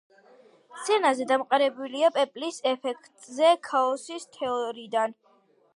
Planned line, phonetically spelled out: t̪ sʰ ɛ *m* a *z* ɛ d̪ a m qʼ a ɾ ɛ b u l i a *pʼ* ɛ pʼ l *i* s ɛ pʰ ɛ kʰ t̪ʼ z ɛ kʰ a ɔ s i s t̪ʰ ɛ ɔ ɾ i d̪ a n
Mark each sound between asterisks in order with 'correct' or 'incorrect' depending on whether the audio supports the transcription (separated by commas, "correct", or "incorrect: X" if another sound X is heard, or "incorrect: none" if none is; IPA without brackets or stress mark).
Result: incorrect: n, correct, correct, correct